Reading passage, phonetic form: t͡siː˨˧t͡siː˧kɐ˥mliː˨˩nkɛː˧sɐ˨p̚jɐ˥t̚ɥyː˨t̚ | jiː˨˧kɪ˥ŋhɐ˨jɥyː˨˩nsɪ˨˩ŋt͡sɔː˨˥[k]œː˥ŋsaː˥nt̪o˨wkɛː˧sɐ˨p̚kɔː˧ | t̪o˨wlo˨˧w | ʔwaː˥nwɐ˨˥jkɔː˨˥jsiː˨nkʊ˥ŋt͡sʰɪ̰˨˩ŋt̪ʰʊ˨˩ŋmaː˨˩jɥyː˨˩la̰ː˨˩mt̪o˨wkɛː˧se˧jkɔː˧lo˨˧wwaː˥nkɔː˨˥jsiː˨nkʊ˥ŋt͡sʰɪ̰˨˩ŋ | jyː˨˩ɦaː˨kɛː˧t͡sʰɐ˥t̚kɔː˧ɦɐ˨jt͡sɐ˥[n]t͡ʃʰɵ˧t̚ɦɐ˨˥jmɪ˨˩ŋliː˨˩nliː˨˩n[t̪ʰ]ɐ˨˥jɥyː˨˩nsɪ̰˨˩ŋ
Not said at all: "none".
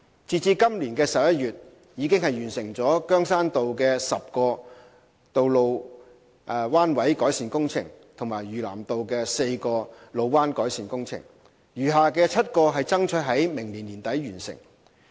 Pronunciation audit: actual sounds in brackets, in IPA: k, ŋ, t̪

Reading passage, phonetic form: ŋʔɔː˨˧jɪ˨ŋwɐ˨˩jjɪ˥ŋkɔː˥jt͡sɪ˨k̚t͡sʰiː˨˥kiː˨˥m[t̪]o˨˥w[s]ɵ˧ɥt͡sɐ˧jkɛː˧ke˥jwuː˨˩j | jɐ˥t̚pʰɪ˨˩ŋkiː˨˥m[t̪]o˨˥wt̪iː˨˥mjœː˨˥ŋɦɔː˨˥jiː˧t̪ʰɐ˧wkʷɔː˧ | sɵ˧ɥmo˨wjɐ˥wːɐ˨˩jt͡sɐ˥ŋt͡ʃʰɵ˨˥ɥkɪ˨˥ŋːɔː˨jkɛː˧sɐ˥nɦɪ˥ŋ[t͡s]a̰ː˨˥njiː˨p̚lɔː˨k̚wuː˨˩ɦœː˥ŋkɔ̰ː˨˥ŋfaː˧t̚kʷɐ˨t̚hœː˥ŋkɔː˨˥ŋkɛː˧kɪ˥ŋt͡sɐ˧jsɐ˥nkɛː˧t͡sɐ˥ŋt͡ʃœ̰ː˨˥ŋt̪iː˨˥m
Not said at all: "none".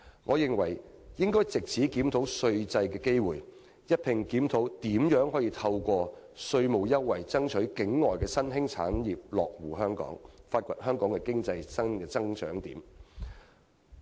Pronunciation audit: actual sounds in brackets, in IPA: t̪ʰ, s, t̪ʰ, t͡sʰ

